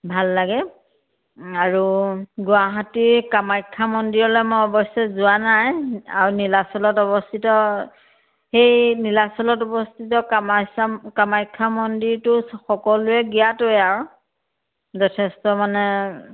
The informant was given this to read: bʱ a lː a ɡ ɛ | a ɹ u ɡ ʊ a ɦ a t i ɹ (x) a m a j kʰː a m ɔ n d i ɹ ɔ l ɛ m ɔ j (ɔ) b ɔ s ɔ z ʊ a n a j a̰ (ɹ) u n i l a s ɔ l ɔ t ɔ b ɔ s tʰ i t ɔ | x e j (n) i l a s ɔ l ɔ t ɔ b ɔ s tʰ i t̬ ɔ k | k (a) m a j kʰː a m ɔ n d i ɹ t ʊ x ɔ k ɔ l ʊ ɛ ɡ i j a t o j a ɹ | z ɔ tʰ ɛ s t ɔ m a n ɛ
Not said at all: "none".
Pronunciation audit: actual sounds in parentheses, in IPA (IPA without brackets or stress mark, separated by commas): k, ɔ, ɹ, n, a